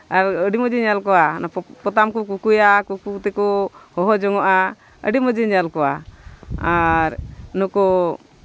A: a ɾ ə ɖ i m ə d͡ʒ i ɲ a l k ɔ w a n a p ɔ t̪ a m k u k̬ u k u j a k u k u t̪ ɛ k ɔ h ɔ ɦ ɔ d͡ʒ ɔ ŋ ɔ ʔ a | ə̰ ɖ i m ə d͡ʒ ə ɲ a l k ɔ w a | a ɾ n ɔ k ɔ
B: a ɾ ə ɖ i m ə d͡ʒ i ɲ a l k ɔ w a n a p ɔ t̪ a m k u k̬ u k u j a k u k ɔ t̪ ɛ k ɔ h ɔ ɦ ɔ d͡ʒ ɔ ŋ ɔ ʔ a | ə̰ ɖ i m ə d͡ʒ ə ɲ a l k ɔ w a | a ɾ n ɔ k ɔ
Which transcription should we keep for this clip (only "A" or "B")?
A